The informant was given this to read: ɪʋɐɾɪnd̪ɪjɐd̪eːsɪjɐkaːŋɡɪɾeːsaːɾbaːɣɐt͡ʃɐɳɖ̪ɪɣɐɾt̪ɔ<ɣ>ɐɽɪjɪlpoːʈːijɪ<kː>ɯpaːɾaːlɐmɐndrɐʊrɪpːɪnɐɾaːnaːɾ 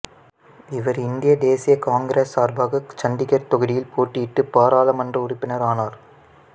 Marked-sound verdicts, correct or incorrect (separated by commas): correct, incorrect